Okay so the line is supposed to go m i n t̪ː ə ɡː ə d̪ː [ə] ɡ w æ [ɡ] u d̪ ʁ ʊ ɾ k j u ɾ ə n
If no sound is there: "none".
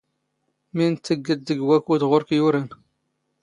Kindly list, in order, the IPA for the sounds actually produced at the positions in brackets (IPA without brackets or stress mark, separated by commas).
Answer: ə, k